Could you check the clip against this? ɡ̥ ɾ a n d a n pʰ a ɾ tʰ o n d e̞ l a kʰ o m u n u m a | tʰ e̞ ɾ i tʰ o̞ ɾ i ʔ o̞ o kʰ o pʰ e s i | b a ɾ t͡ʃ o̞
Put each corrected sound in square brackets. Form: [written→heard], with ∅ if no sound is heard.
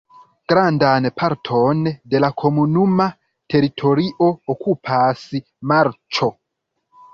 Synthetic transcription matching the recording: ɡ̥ ɾ a n d a n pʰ a ɾ tʰ o n d e̞ l a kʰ o m u n u m a | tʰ e̞ ɾ i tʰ o̞ ɾ i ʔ o̞ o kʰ [o→u] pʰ [e→a] s i | [b→m] a ɾ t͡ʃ o̞